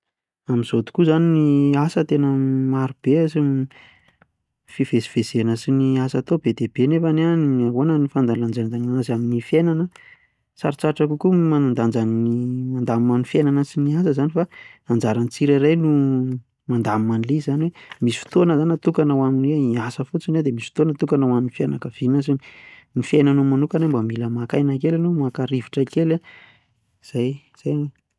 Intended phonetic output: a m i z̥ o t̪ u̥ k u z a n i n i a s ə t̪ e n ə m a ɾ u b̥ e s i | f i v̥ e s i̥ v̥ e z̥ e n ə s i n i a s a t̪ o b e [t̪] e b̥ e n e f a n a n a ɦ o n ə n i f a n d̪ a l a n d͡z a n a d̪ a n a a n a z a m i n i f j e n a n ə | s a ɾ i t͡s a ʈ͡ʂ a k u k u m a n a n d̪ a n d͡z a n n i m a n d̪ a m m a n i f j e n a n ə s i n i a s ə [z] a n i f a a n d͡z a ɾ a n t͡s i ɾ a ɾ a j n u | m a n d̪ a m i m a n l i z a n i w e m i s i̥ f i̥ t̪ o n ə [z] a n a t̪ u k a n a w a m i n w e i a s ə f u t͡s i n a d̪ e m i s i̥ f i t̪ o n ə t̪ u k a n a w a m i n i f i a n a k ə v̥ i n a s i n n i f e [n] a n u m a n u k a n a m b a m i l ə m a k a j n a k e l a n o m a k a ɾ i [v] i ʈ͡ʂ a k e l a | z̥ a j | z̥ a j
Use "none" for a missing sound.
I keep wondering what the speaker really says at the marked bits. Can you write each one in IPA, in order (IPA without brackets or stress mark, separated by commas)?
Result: d̪, z, z, n, v